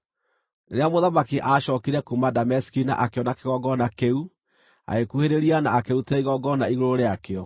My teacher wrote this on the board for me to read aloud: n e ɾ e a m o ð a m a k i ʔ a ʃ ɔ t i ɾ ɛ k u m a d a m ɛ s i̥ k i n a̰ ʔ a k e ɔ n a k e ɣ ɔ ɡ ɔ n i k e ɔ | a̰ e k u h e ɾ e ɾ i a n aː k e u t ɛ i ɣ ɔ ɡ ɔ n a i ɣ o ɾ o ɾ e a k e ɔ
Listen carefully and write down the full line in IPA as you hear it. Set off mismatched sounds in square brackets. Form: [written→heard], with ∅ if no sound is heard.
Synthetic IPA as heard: n e ɾ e a m o ð a m a k i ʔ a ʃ ɔ [t→k] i ɾ ɛ k u m a d a m ɛ s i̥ k i n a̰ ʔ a k e ɔ n a k e ɣ ɔ ɡ ɔ n [i→a] k e [ɔ→u] | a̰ e k u h e ɾ e ɾ i a n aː k e u t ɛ i ɣ ɔ ɡ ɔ n a i ɣ o ɾ o ɾ e a k e ɔ